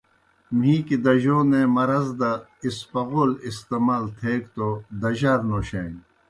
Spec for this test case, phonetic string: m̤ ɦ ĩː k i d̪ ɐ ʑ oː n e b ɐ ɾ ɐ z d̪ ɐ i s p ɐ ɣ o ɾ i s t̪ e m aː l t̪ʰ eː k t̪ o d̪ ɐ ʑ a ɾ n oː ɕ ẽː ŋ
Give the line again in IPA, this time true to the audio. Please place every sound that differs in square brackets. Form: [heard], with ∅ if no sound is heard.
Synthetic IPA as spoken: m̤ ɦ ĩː k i d̪ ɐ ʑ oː n e [m] ɐ ɾ ɐ z d̪ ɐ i s p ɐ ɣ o [l] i s t̪ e m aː l t̪ʰ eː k t̪ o d̪ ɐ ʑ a ɾ n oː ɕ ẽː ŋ